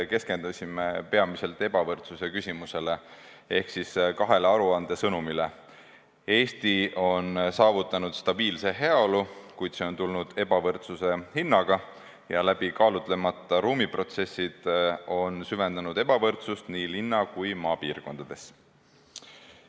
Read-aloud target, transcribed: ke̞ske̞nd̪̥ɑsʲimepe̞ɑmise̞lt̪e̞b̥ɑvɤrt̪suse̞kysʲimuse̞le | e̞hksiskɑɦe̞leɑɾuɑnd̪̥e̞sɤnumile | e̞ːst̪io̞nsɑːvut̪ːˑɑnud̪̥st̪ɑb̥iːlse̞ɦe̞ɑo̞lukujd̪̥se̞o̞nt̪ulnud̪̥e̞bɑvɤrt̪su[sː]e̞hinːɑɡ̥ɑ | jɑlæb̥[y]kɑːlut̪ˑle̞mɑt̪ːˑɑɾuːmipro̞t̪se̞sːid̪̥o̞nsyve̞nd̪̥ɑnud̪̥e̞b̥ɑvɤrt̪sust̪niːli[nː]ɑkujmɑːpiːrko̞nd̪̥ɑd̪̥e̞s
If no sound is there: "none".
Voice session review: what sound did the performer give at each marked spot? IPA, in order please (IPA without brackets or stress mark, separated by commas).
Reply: s, i, nː